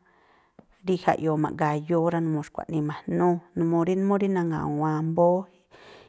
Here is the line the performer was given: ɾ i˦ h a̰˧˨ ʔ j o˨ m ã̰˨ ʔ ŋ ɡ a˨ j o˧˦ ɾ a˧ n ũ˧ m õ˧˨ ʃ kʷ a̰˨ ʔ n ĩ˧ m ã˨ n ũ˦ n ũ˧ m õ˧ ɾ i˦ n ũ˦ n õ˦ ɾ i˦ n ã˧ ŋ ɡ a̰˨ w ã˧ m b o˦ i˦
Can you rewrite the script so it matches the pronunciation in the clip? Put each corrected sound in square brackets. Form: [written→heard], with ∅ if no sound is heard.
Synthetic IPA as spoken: ɾ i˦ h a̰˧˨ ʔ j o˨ m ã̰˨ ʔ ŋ ɡ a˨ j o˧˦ ɾ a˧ n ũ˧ m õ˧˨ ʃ kʷ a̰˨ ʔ n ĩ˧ m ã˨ n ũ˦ n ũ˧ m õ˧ ɾ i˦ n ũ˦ [n→m] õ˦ ɾ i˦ n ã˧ ŋ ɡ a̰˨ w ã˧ m b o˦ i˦